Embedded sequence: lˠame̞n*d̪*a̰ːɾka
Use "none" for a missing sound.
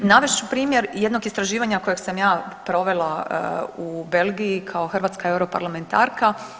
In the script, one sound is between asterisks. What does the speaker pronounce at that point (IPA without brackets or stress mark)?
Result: t̪